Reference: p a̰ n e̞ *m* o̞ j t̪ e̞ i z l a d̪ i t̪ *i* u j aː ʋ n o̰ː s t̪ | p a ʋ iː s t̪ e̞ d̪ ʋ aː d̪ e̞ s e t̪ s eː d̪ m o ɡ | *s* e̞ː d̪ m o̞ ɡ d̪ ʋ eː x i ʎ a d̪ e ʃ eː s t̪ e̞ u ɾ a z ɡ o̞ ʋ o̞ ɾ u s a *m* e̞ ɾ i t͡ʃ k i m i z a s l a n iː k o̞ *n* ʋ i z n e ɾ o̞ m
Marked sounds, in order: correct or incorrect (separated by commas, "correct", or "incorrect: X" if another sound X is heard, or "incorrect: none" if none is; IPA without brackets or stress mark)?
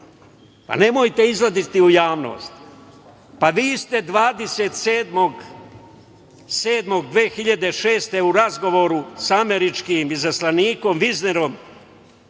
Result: correct, correct, correct, correct, incorrect: m